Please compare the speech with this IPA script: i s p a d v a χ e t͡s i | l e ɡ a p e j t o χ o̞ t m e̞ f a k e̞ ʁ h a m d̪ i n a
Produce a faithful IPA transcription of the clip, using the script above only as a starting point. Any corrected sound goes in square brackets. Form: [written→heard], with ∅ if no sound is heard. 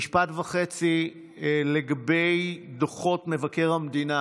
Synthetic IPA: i [s→ʃ] p a [d→t] v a χ e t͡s i | l e ɡ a [p→b] e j [t→d] o χ o̞ t m e̞ [f→v] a k e̞ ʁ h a m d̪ i n a